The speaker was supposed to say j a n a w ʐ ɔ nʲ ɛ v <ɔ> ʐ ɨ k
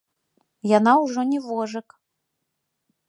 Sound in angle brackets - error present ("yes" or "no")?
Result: no